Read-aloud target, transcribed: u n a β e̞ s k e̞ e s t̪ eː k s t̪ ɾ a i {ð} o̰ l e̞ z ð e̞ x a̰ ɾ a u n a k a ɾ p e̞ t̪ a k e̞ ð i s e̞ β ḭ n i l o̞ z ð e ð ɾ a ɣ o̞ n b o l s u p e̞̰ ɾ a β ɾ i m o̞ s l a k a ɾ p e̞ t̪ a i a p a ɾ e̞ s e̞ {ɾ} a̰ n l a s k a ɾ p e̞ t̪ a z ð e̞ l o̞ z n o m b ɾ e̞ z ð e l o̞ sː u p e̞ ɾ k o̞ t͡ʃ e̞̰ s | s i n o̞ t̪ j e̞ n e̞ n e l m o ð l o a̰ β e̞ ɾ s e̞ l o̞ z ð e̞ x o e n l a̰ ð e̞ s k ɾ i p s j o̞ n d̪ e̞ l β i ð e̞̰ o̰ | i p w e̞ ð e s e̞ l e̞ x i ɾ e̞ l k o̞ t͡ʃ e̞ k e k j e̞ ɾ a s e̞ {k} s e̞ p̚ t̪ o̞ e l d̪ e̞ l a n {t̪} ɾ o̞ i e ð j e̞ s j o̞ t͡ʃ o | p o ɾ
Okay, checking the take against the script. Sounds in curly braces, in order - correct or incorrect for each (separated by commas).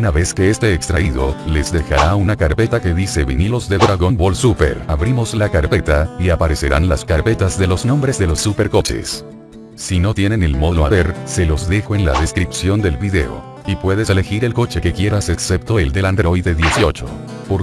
correct, correct, correct, incorrect